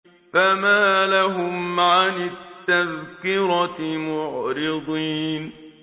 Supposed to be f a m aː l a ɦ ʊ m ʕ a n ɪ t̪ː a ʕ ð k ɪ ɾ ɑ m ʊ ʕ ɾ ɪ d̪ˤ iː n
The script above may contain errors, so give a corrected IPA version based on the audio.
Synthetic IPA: f a m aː l a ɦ ʊ m ʕ a n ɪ t̪ː a ð k ɪ ɾ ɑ m ʊ ʕ ɾ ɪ d̪ˤ iː n